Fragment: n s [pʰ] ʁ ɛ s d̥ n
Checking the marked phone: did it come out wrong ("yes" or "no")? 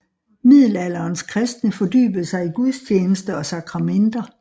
yes